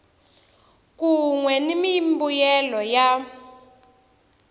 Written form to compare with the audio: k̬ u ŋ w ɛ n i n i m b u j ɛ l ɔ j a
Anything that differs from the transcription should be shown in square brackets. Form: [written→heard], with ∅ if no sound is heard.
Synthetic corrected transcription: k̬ u ŋ w ɛ n i [n→m] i m b u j ɛ l ɔ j a